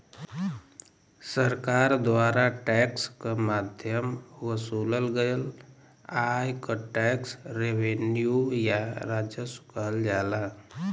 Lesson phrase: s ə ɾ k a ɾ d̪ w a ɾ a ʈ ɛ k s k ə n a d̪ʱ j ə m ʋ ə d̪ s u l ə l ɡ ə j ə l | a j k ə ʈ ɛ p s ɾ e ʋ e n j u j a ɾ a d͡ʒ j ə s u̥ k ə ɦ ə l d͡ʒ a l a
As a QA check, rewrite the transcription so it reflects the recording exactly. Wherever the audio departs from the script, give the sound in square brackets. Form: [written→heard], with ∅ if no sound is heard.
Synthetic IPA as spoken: s ə ɾ k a ɾ d̪ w a ɾ a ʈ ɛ k s k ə [n→m] a d̪ʱ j ə m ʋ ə [d̪→∅] s u l ə l ɡ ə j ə l | a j k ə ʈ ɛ [p→k] s ɾ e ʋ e n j u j a ɾ a d͡ʒ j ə s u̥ k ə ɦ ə l d͡ʒ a l a